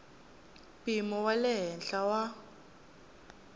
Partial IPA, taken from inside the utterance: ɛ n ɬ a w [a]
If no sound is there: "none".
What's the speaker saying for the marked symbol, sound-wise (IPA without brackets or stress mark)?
a